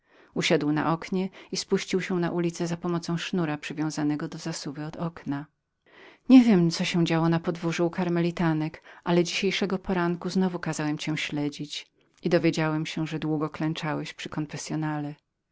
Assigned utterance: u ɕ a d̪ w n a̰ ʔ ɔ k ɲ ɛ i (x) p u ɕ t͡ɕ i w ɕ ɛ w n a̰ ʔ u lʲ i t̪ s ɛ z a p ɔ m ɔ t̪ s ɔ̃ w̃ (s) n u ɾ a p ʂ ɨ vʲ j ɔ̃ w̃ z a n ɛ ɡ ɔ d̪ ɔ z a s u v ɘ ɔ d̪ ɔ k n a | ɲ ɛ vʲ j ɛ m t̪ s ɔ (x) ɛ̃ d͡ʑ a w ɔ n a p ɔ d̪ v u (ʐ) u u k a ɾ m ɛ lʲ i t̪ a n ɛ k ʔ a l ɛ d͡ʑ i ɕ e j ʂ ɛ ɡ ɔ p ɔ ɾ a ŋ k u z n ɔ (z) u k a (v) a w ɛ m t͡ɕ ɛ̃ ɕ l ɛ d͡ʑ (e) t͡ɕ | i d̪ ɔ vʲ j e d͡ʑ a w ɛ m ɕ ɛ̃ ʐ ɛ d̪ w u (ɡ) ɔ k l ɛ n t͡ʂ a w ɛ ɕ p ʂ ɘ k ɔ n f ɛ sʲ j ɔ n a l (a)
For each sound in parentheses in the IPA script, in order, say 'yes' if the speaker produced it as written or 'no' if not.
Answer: no, no, no, yes, no, no, no, yes, no

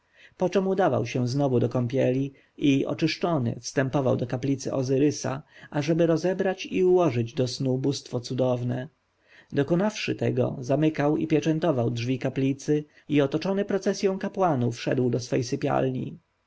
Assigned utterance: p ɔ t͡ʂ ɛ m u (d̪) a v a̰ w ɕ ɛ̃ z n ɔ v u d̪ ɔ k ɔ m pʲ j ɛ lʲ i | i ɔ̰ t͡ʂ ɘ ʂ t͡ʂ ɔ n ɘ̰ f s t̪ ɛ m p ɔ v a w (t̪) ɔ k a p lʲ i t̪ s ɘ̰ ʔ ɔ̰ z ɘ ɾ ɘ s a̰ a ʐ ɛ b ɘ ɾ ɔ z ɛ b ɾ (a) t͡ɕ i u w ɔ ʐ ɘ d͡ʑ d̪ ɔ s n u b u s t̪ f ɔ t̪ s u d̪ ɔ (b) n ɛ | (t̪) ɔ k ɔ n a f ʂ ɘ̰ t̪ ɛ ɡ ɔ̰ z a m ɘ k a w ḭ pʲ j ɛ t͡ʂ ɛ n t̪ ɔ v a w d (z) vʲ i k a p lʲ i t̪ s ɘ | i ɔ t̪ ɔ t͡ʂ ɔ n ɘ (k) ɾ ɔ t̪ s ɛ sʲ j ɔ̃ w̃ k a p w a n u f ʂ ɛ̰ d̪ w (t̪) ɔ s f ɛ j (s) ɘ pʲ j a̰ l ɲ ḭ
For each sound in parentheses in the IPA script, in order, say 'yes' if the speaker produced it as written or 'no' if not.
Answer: yes, no, yes, no, no, no, no, no, yes

